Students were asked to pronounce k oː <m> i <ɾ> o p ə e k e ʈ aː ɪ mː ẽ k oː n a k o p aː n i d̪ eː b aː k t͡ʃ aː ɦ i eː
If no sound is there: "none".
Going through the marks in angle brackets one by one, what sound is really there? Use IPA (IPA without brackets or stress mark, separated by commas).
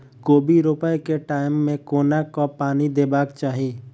b, ɾ